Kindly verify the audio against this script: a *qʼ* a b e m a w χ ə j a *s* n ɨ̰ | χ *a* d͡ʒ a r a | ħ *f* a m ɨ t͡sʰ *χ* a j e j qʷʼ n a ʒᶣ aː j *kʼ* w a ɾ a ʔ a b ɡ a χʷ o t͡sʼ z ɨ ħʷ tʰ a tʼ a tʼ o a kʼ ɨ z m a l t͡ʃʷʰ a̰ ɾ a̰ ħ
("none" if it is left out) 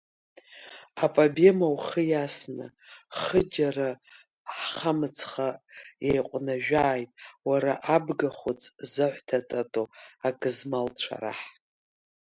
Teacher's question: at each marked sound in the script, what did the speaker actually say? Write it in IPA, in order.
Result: pʼ, s, ə, χ, χ, tʼ

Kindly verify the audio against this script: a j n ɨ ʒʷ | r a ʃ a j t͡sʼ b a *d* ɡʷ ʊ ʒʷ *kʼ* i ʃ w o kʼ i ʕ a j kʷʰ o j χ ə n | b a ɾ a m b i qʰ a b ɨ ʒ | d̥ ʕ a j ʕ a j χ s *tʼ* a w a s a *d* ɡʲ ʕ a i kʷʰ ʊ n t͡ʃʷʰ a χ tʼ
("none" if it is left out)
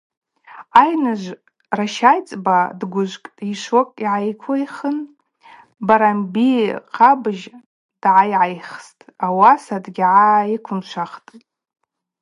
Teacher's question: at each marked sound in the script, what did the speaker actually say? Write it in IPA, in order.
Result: d, kʼ, tʼ, d

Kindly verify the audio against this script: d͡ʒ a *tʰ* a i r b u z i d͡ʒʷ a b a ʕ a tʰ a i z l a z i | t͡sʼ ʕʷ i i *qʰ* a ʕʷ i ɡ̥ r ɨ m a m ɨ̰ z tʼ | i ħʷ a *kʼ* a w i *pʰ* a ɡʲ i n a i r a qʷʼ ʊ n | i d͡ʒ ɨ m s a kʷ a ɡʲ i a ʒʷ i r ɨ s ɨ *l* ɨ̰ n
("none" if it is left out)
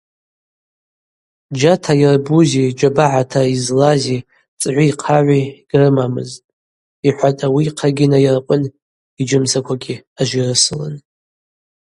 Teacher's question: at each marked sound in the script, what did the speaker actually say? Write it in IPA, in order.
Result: tʰ, qʰ, tʼ, qʰ, l

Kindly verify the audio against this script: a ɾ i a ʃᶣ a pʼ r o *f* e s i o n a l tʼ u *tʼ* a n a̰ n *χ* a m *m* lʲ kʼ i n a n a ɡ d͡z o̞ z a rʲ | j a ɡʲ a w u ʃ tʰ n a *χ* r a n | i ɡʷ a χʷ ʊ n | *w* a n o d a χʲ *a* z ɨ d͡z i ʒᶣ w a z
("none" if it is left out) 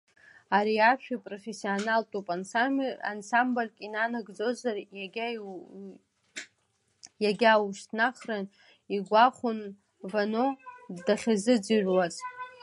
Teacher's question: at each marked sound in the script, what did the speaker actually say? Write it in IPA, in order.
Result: f, pʼ, s, b, χ, v, a

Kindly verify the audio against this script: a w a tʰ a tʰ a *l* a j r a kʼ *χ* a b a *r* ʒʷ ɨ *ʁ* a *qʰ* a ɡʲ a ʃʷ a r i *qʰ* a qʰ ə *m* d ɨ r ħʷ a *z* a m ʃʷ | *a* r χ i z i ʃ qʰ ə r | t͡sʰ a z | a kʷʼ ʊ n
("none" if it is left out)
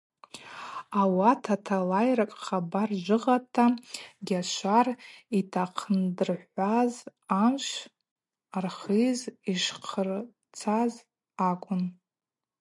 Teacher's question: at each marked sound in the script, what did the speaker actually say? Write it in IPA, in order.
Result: l, χ, r, ʁ, tʰ, tʰ, n, z, a

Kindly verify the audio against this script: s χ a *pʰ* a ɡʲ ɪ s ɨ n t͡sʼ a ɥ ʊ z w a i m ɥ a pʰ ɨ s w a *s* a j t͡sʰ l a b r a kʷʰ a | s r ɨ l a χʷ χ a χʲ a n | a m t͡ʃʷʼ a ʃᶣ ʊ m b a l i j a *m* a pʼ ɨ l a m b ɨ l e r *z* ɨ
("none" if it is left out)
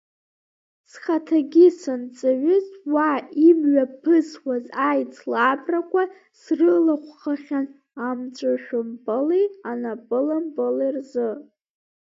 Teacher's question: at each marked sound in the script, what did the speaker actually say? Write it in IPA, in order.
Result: tʰ, z, n, z

